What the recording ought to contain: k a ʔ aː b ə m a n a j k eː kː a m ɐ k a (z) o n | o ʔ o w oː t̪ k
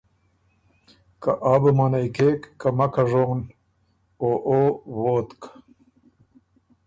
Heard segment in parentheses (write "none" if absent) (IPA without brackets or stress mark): ʐ